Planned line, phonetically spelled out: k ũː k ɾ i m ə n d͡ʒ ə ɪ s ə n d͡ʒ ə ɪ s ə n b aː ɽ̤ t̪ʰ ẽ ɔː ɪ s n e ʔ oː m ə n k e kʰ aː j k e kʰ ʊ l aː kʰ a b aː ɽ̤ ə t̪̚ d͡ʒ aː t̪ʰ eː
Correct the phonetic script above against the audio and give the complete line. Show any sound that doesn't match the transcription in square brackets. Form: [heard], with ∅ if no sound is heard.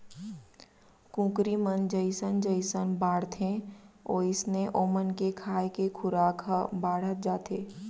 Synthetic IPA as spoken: k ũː k ɾ i m ə n d͡ʒ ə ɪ s ə n d͡ʒ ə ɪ s ə n b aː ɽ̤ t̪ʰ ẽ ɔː ɪ s n e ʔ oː m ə n k e kʰ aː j k e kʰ ʊ [ɾ] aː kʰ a b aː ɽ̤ ə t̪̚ d͡ʒ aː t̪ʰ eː